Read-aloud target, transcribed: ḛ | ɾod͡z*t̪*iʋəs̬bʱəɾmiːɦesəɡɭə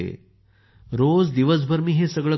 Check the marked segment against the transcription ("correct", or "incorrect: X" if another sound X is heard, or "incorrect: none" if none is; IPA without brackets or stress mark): incorrect: d̪